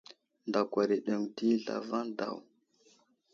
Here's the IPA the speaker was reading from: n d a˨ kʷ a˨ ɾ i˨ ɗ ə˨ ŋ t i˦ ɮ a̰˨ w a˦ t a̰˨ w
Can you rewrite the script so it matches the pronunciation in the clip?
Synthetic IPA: n d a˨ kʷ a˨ ɾ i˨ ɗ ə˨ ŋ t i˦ ɮ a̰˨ v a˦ d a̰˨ w

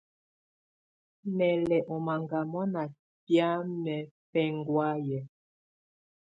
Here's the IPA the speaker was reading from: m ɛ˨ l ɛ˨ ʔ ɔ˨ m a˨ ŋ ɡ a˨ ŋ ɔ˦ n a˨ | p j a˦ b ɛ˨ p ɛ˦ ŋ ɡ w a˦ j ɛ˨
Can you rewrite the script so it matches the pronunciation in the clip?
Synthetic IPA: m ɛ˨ l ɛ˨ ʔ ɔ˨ m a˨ ŋ ɡ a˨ m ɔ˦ n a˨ | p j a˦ m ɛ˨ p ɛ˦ ŋ ɡ w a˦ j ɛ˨

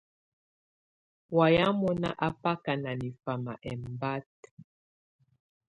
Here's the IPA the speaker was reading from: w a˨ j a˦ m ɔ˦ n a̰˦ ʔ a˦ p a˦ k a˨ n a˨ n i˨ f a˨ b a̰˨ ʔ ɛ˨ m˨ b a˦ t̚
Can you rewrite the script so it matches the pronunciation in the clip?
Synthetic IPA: w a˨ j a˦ m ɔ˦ n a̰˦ ʔ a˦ p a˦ k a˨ n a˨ n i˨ f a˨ m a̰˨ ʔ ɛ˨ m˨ b a˦ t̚

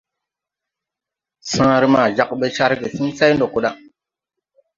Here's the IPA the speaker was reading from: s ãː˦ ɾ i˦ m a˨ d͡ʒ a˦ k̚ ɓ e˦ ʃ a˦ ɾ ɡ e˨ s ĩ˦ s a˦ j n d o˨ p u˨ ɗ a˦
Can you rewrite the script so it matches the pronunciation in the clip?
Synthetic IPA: s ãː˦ ɾ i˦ m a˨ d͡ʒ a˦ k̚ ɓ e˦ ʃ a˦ ɾ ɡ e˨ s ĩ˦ s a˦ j n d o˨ k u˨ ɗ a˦

